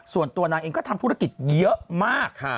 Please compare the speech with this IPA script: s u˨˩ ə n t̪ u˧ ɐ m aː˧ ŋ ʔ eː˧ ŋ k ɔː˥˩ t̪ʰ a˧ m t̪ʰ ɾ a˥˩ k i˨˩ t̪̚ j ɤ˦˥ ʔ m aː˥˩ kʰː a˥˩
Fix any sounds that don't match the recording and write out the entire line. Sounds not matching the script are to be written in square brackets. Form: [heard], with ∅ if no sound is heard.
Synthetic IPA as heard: s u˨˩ ə n t̪ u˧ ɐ [n] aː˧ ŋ ʔ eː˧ ŋ k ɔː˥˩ t̪ʰ a˧ m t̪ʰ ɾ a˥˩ k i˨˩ t̪̚ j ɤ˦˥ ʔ m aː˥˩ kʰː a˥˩

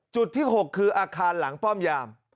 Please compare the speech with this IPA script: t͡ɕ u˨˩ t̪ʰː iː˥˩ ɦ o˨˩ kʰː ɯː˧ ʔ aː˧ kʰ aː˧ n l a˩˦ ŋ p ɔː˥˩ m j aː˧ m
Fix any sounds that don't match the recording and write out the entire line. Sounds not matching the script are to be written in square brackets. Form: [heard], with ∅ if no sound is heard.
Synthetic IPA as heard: t͡ɕ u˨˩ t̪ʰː iː˥˩ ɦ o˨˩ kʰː ɯː˧ ʔ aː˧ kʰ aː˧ n l a˩˦ ŋ p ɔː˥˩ m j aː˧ m

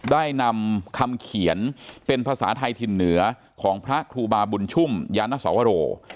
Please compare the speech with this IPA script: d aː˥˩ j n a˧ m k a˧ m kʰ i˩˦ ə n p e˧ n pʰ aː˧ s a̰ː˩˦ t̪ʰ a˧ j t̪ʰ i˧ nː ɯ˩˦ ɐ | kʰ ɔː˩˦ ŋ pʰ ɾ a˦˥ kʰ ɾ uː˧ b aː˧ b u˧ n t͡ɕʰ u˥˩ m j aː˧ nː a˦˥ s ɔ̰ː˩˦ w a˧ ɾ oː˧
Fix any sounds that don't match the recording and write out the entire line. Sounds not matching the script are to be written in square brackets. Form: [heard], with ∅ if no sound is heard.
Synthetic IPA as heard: d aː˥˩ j n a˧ m [kʰ] a˧ m kʰ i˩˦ ə n p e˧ n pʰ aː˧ s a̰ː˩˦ t̪ʰ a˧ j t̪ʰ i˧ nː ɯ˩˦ ɐ | kʰ ɔː˩˦ ŋ pʰ ɾ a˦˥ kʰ ɾ uː˧ b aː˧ b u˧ n t͡ɕʰ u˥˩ m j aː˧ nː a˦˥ s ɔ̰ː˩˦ w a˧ ɾ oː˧

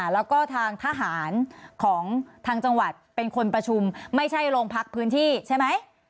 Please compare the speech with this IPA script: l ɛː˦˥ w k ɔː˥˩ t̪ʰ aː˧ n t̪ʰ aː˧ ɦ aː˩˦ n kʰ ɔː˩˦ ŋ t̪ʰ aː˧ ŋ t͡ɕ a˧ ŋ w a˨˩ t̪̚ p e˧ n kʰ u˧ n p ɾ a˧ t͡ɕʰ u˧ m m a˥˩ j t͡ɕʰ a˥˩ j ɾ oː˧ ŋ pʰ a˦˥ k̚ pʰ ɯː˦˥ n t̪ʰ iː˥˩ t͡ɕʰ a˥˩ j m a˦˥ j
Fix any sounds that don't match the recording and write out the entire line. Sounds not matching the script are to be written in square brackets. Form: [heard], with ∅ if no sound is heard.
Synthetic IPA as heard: l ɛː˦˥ w k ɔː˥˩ t̪ʰ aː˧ [ŋ] t̪ʰ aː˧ ɦ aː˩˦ n kʰ ɔː˩˦ ŋ t̪ʰ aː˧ ŋ t͡ɕ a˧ ŋ w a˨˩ t̪̚ p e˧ n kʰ [o˧] n p ɾ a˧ t͡ɕʰ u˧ m m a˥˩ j t͡ɕʰ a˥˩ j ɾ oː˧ ŋ pʰ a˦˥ k̚ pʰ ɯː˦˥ n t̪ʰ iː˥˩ t͡ɕʰ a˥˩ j m a˦˥ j

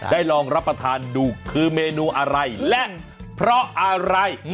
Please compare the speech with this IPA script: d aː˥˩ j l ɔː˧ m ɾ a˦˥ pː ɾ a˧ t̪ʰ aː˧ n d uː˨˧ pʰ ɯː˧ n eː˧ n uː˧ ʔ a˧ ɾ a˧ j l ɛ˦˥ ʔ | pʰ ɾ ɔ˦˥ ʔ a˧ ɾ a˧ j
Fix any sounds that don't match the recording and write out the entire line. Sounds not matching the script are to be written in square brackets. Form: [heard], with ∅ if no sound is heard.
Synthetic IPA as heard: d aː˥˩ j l ɔː˧ [ŋ] ɾ a˦˥ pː ɾ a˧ t̪ʰ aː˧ n d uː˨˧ [kʰ] ɯː˧ [m] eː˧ n uː˧ ʔ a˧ ɾ a˧ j l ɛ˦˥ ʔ | pʰ ɾ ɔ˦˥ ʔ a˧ ɾ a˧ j

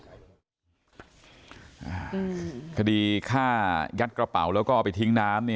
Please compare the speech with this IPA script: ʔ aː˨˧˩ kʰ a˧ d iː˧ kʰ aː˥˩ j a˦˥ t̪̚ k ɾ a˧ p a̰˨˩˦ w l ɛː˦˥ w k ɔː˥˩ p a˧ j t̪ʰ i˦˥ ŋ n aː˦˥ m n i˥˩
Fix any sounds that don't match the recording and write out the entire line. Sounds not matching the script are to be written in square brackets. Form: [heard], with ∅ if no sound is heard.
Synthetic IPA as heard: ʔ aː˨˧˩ kʰ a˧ d iː˧ kʰ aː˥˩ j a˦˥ t̪̚ k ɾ a˧ p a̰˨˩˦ w l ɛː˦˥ w k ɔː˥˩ p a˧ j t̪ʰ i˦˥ ŋ n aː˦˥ m n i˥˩

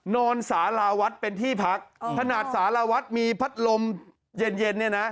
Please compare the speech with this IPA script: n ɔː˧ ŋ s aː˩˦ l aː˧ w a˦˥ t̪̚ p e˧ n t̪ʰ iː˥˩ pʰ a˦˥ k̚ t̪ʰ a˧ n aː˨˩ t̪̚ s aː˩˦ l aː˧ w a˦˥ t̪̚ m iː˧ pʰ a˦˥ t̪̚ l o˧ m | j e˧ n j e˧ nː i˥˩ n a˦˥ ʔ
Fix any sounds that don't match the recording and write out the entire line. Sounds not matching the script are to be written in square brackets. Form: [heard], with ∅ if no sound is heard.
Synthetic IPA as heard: n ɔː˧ [n] s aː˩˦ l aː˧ w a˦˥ t̪̚ p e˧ n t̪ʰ iː˥˩ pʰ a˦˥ k̚ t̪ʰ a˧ n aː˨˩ t̪̚ s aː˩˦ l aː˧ w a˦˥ t̪̚ m iː˧ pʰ a˦˥ t̪̚ l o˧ m | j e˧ n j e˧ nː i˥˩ n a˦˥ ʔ

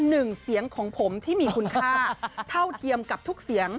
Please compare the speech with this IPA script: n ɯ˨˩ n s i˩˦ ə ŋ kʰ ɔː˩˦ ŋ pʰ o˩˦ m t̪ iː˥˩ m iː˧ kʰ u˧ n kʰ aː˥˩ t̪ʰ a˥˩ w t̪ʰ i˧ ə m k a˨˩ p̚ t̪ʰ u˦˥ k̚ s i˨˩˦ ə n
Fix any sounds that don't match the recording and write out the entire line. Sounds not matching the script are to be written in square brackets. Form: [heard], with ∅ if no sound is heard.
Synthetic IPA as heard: n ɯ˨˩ [ŋ] s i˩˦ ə ŋ kʰ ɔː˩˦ ŋ pʰ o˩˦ m [t̪ʰ] iː˥˩ m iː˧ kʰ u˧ n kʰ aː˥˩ t̪ʰ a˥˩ w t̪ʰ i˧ ə m k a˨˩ p̚ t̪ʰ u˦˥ k̚ s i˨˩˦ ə [ŋ]

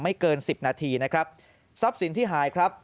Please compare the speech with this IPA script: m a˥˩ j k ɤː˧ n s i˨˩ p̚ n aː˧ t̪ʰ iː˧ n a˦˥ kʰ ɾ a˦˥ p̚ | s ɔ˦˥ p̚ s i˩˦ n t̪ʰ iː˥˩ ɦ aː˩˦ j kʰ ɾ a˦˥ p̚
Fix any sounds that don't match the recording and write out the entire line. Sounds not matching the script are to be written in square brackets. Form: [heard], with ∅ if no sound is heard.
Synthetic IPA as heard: m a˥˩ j k ɤː˧ n s i˨˩ p̚ n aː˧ t̪ʰ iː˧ n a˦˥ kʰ ɾ a˦˥ p̚ | s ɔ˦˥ p̚ s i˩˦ n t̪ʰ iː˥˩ ɦ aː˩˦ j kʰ ɾ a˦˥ p̚

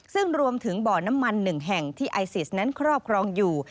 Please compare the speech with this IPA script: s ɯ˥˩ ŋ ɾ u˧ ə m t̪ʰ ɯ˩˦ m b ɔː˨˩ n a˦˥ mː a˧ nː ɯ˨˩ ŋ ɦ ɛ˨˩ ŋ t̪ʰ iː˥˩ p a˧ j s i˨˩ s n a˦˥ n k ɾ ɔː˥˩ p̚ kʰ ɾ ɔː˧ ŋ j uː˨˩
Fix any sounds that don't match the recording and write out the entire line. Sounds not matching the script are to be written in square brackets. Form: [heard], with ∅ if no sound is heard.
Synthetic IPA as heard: s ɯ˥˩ ŋ ɾ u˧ ə m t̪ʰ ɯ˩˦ [ŋ] b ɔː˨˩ n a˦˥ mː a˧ nː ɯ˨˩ ŋ ɦ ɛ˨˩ ŋ t̪ʰ iː˥˩ [ʔ] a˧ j s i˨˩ s n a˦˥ n [kʰ] ɾ ɔː˥˩ p̚ kʰ ɾ ɔː˧ ŋ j uː˨˩

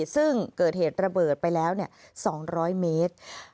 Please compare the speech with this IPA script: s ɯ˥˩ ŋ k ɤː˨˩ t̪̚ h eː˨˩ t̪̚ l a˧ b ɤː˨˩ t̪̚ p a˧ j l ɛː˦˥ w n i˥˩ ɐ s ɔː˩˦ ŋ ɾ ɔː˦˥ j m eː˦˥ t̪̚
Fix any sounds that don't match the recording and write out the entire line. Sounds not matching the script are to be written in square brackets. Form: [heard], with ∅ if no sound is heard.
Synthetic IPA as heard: s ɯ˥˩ ŋ k ɤː˨˩ t̪̚ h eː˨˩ t̪̚ [ɾ] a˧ b ɤː˨˩ t̪̚ p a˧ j l ɛː˦˥ w n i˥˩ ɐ s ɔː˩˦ ŋ ɾ ɔː˦˥ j m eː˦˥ t̪̚

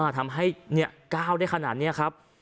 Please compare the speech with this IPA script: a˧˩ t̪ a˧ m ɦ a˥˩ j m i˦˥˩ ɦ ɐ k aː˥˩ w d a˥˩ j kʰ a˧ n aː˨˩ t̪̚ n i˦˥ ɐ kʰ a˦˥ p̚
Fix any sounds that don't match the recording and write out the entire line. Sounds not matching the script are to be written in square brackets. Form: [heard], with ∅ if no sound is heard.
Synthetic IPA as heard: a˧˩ [t̪ʰ] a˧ m ɦ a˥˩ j [n] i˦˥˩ [∅] ɐ k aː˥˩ w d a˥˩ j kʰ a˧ n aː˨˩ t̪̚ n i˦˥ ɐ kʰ a˦˥ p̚

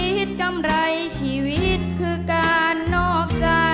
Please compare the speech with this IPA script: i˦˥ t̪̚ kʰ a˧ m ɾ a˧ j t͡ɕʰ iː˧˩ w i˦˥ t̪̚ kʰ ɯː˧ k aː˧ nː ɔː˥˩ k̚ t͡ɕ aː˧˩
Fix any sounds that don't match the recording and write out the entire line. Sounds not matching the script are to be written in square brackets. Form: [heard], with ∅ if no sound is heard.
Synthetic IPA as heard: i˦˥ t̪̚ [k] a˧ m ɾ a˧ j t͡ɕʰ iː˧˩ w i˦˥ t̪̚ kʰ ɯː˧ k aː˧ nː ɔː˥˩ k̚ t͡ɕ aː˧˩

